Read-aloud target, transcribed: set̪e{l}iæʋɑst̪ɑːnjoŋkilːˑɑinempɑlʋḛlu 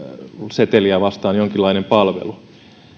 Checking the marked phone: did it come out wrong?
no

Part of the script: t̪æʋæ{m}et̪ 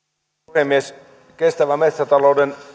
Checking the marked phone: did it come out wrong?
no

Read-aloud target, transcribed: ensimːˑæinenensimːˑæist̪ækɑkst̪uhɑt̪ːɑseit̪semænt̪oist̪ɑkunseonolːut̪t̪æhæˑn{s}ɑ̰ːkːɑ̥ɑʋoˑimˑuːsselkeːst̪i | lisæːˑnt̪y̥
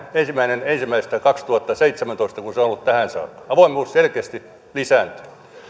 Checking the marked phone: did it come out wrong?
no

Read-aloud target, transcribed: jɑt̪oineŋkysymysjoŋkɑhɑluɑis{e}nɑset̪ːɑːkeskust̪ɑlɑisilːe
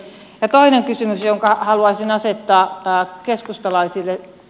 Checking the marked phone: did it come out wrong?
yes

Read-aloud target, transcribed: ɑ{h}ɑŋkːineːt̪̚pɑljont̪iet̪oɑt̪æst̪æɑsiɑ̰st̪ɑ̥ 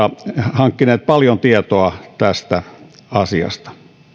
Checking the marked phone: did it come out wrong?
no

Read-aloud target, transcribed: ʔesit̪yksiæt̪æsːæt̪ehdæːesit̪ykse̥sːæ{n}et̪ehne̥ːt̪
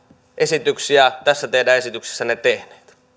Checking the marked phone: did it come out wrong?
no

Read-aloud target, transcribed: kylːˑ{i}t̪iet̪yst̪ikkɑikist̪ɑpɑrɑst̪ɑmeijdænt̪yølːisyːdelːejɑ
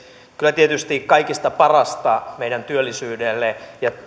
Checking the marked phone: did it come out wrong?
yes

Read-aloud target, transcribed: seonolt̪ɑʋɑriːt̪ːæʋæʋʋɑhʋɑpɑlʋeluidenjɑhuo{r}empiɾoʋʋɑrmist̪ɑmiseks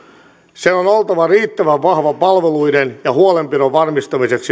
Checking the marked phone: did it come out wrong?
yes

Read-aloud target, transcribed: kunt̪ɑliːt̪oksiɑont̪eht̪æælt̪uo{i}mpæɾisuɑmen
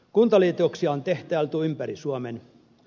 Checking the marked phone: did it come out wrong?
yes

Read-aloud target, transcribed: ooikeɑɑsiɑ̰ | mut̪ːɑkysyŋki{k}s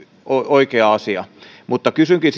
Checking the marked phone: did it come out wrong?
yes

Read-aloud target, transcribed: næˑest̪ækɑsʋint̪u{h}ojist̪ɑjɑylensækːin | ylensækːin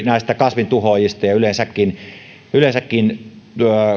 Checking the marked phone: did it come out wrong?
no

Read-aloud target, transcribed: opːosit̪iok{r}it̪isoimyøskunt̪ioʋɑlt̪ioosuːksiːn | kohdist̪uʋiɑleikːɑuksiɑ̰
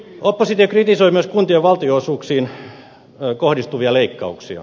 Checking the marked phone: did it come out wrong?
no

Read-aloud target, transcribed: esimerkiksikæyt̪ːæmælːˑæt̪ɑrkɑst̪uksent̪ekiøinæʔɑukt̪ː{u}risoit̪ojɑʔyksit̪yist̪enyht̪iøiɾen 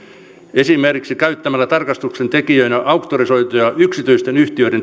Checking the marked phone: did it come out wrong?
yes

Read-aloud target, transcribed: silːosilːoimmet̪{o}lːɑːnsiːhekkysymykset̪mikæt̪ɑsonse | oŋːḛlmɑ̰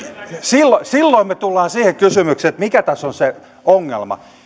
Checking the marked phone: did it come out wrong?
yes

